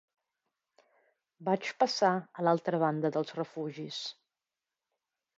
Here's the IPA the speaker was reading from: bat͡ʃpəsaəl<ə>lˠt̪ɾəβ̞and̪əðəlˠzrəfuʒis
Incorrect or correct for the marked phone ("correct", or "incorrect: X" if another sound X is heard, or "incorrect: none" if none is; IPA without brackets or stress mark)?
incorrect: a